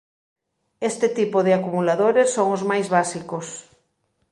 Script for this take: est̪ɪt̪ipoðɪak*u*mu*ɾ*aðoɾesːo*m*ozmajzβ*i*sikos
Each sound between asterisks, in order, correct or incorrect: correct, incorrect: l, incorrect: ŋ, incorrect: a

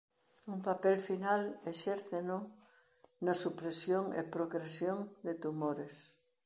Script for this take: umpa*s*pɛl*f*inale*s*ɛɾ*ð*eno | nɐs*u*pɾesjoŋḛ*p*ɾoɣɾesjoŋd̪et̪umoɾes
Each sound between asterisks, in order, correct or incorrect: incorrect: none, correct, incorrect: ʃ, incorrect: θ, correct, correct

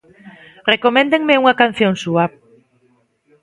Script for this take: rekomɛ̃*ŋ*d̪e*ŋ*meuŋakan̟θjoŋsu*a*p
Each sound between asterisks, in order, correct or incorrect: incorrect: n, correct, correct

